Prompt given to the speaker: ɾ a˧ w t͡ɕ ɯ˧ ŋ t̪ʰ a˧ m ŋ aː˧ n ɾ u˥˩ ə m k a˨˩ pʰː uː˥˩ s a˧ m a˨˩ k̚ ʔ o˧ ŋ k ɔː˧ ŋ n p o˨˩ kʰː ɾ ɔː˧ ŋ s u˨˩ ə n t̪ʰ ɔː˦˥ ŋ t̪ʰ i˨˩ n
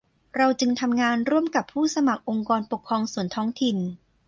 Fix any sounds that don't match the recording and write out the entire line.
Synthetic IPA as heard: ɾ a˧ w t͡ɕ ɯ˧ ŋ t̪ʰ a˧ m ŋ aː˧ n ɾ u˥˩ ə m k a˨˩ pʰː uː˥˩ s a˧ m a˨˩ k̚ ʔ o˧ ŋ k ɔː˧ n p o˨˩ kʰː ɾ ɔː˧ ŋ s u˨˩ ə n t̪ʰ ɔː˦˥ ŋ t̪ʰ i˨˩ n